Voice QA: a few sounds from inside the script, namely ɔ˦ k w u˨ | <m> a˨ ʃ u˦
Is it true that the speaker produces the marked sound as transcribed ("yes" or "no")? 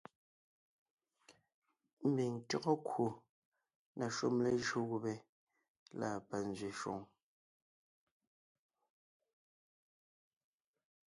no